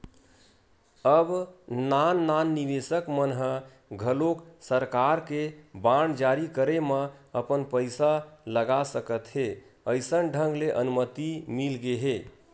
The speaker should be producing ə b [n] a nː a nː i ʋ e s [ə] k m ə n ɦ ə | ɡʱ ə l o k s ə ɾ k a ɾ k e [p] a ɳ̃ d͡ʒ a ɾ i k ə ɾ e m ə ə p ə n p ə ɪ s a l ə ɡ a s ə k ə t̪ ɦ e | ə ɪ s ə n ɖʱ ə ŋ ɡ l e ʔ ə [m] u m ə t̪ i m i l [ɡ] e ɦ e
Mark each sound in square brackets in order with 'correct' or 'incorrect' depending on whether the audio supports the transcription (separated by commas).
correct, correct, incorrect, incorrect, correct